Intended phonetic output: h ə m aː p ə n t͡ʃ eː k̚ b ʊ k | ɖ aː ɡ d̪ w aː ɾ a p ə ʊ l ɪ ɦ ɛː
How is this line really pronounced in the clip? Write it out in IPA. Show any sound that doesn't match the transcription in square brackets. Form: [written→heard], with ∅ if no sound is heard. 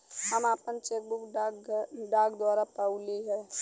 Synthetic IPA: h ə m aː p ə n t͡ʃ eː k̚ b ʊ k | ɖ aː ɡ d̪ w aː ɾ a p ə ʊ l [ɪ→i] ɦ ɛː